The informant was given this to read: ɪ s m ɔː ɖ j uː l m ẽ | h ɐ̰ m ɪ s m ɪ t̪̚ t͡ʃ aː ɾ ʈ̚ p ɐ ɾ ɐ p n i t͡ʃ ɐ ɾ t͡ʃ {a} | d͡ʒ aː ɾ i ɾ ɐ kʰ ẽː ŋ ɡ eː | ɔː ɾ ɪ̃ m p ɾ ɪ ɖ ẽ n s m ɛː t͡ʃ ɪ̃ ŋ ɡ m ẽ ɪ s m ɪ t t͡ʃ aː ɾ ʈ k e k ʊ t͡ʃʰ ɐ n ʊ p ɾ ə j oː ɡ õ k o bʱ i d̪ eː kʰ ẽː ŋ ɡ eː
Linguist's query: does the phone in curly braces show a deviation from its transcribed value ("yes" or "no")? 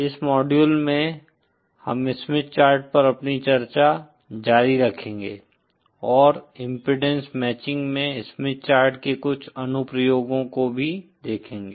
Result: no